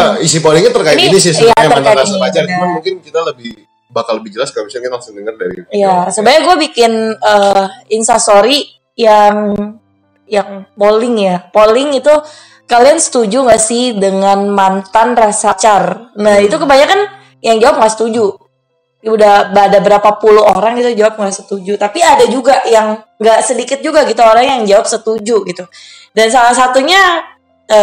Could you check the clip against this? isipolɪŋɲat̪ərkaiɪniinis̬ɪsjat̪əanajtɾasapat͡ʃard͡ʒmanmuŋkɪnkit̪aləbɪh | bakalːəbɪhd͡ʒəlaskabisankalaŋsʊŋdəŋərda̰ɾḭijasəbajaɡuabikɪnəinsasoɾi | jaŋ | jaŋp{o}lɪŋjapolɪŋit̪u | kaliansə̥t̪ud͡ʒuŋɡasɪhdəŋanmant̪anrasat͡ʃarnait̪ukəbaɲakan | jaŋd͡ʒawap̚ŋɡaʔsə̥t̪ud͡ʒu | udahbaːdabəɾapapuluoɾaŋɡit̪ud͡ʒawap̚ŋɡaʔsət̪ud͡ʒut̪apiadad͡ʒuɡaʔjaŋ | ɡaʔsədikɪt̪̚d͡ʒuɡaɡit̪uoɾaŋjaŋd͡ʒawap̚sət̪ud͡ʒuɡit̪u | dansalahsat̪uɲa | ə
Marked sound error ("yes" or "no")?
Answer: no